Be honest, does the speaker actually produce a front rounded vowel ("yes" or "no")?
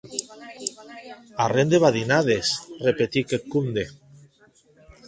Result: no